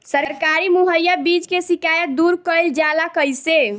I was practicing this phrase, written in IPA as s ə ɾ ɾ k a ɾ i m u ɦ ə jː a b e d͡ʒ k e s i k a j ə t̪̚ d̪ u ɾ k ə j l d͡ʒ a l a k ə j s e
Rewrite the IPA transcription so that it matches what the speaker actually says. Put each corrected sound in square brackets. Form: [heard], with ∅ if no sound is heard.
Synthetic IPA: s ə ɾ ɾ k a ɾ i m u ɦ ə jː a b [i] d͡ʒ k e s i k a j ə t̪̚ d̪ u ɾ k ə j l d͡ʒ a l a k ə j s e